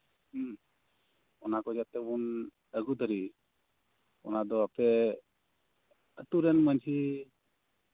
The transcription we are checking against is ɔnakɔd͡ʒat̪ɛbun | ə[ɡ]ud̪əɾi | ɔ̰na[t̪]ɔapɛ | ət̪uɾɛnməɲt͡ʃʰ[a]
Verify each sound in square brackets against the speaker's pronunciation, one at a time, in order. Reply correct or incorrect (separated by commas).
correct, incorrect, incorrect